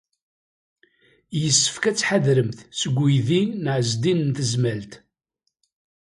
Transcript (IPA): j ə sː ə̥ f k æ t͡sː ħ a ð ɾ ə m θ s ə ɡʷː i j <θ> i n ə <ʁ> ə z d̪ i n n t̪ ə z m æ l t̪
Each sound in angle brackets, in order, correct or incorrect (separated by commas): incorrect, incorrect